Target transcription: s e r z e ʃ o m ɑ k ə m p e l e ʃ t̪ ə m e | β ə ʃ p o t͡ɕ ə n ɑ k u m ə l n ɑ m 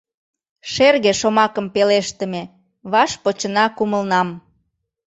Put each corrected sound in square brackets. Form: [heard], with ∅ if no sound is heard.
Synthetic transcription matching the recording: [ʃ] e r [ɣ] e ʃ o m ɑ k ə m p e l e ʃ t̪ ə m e | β [ɑ] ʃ p o t͡ɕ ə n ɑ k u m ə l n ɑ m